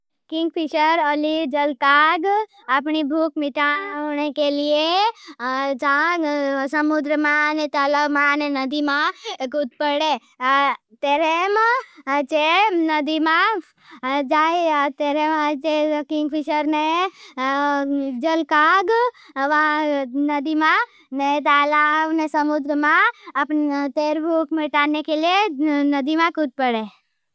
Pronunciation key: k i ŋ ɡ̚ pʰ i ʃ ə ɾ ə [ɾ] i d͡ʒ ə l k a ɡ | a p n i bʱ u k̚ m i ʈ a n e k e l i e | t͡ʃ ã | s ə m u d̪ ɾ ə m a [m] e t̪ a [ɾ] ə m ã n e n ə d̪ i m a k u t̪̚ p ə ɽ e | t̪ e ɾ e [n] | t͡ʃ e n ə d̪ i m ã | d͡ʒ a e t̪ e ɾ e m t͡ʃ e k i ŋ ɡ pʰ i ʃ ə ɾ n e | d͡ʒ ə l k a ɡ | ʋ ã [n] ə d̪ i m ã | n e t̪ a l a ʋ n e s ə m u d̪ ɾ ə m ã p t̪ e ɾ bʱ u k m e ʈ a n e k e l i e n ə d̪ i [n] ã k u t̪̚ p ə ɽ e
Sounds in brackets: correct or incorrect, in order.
incorrect: l, incorrect: n, incorrect: l, incorrect: m, correct, incorrect: m

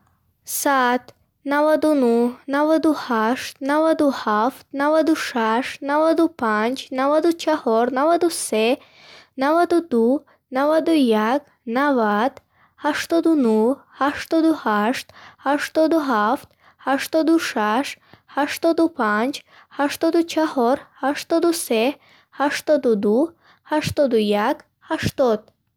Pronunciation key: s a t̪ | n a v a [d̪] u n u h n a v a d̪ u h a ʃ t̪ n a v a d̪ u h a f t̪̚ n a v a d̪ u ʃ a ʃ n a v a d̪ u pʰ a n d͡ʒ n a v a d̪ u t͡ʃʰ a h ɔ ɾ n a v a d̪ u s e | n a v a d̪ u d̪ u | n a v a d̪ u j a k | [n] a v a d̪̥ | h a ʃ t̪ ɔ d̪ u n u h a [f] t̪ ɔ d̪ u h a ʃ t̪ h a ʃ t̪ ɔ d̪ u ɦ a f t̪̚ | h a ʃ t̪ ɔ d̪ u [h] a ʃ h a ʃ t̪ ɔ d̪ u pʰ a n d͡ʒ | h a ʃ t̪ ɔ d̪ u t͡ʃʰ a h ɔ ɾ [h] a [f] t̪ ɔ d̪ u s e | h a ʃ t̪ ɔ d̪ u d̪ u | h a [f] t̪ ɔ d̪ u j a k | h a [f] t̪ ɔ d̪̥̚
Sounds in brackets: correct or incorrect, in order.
correct, correct, incorrect: ʃ, incorrect: ʃ, correct, incorrect: ʃ, incorrect: ʃ, incorrect: ʃ

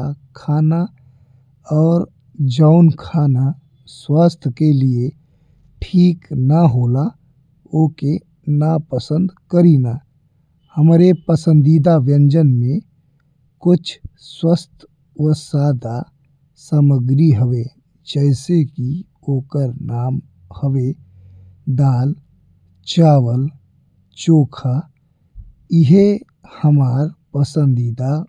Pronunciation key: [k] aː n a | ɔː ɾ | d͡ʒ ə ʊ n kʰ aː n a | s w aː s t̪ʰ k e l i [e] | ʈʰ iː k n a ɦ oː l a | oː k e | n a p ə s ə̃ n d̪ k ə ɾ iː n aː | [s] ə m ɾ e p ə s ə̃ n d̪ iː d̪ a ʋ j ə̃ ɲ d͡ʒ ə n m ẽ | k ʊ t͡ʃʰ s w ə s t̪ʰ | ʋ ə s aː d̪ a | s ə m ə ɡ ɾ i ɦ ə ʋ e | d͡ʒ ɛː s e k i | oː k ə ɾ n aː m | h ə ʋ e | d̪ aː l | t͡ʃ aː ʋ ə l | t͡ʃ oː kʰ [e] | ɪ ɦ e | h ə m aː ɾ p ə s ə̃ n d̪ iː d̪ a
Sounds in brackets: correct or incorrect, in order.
incorrect: kʰ, correct, incorrect: h, incorrect: a

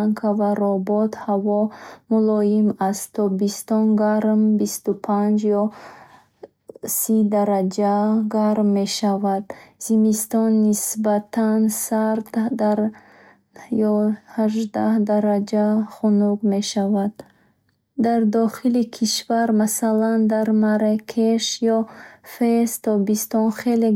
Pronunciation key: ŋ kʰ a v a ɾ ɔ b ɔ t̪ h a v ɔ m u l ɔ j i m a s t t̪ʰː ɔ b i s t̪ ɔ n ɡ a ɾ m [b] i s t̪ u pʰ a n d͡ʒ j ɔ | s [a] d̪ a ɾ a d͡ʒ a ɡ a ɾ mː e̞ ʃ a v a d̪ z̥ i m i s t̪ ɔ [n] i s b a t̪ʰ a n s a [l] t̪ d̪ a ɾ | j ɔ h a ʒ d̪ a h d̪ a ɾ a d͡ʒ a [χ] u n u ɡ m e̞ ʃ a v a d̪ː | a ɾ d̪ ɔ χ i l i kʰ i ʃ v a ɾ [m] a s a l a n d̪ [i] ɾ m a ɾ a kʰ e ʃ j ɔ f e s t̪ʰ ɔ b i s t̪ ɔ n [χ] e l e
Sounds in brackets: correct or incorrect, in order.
correct, incorrect: i, incorrect: nː, incorrect: ɾ, correct, correct, incorrect: a, correct

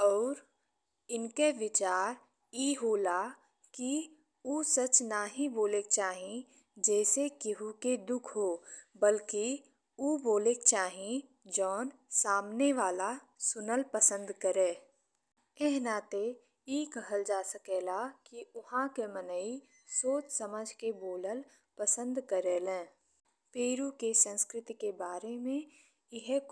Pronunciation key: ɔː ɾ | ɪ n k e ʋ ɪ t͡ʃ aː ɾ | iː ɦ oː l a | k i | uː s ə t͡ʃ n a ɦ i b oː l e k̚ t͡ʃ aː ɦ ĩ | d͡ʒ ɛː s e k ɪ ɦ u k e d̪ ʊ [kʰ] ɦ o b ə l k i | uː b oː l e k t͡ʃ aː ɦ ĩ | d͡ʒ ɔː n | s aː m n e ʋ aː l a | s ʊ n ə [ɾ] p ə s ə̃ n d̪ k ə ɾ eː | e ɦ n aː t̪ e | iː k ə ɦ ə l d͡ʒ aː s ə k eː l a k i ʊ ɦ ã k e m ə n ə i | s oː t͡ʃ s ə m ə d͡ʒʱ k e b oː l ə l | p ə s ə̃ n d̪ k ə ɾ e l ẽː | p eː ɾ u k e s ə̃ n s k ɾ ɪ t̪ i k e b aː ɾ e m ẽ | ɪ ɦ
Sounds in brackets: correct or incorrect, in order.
correct, incorrect: l

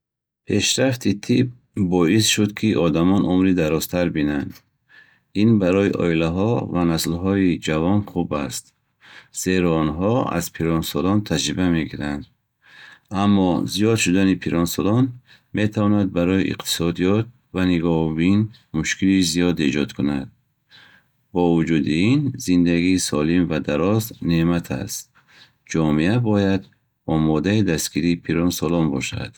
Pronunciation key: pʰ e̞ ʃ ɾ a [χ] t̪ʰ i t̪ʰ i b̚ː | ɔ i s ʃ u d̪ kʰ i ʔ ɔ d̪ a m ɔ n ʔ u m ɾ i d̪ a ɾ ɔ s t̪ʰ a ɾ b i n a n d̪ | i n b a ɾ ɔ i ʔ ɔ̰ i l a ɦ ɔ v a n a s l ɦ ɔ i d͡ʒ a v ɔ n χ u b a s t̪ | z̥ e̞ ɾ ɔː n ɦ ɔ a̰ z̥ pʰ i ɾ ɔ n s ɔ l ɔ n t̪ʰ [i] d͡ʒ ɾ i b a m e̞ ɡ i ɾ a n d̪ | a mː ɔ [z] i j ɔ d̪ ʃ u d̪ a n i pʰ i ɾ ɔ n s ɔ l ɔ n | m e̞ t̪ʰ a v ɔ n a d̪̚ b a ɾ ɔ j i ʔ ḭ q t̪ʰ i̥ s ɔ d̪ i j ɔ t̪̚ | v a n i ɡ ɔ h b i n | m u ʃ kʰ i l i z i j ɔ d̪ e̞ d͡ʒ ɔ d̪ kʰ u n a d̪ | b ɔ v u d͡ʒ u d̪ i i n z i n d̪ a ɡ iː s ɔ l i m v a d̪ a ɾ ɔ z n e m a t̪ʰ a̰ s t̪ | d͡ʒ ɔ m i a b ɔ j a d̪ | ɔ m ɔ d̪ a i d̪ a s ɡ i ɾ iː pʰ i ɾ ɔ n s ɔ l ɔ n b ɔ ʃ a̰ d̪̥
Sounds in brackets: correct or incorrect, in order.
incorrect: f, incorrect: a, correct

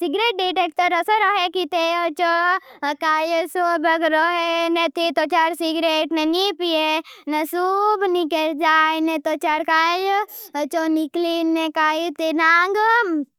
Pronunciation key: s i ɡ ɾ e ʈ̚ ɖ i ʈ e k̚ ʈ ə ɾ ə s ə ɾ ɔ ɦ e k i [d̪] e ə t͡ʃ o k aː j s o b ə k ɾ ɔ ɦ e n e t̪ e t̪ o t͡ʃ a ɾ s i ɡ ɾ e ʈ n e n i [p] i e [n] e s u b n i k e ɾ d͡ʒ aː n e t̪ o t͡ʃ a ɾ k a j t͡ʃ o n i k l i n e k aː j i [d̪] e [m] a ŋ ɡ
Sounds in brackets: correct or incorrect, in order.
incorrect: t̪, correct, correct, incorrect: t̪, incorrect: n

